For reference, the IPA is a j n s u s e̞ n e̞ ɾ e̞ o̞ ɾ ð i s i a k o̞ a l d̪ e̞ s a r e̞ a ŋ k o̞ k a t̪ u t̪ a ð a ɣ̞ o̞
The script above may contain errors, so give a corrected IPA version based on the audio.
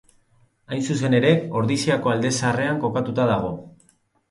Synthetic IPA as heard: a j n s u s e̞ n e̞ ɾ e̞ o̞ ɾ ð i s i a k o̞ a l d̪ e̞ s a r e̞ a ŋ k o̞ k a t̪ u t̪ a ð a ɣ̞ o̞